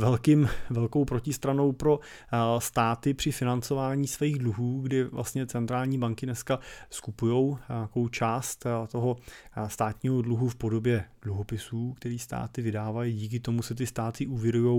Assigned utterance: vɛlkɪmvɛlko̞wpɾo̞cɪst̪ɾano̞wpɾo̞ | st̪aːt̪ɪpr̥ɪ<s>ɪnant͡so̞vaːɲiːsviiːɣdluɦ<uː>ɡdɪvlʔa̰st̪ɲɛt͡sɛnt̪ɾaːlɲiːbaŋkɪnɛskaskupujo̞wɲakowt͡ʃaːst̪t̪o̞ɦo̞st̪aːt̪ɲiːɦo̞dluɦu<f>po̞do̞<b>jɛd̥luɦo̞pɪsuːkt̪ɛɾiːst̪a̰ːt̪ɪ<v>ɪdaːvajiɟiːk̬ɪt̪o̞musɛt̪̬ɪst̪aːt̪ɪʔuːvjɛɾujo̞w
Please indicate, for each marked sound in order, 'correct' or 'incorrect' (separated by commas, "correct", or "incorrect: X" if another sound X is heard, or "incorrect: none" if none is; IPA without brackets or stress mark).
incorrect: f, correct, correct, correct, correct